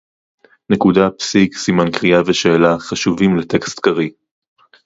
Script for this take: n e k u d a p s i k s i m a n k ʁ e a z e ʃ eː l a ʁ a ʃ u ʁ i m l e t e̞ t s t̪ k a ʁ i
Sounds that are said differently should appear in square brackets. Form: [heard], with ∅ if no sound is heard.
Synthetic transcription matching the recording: n e k u d a p s i k s i m a n k ʁ [i] a [v] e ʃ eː l a [χ] a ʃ u [v] i m l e t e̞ [k] s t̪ k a ʁ i